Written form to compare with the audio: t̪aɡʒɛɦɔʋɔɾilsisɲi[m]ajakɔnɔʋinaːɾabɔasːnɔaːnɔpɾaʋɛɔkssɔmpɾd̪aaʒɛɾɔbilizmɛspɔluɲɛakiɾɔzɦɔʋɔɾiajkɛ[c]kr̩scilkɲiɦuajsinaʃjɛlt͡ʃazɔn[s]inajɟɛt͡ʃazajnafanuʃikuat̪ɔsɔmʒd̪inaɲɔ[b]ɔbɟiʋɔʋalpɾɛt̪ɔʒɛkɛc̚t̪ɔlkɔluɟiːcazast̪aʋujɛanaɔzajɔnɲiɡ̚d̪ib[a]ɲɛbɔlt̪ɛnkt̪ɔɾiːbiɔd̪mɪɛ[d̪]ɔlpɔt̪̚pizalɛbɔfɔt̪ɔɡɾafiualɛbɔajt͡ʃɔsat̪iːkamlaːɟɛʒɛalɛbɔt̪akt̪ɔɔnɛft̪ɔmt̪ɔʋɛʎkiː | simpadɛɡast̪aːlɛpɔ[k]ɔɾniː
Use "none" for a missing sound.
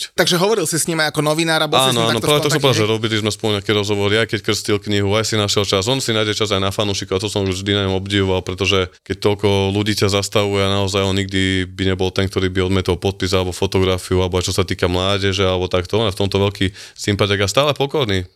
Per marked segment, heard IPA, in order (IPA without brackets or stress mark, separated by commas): m, c, s, m, i, t̪, k